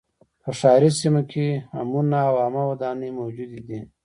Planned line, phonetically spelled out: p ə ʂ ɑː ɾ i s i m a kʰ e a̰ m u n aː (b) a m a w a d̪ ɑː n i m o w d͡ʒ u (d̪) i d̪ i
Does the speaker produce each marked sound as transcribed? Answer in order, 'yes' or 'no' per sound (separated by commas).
no, yes